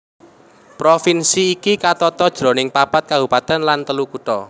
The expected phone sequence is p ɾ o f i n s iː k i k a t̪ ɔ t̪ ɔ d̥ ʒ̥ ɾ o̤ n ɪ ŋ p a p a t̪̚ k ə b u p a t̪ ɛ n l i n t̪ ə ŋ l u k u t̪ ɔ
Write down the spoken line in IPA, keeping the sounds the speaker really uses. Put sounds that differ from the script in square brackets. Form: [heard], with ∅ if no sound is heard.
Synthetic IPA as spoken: p ɾ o f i n s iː k i k a t̪ ɔ t̪ ɔ d̥ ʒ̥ ɾ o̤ n ɪ ŋ p a p a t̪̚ k [a] b u p a t̪ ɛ n l [a] n t̪ ə [∅] l u k u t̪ ɔ